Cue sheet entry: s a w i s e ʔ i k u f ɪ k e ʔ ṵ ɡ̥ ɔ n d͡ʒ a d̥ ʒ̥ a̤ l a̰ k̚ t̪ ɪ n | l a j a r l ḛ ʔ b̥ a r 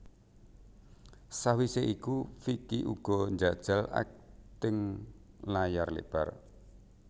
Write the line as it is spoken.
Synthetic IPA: s a w i s e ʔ i k u f i k i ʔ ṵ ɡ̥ ɔ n d͡ʒ a d̥ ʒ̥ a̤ l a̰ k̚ t̪ ɪ ŋ | l a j a r l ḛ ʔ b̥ a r